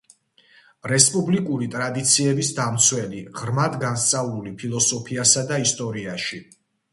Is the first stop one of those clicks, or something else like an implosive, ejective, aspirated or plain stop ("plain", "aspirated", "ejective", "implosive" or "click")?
ejective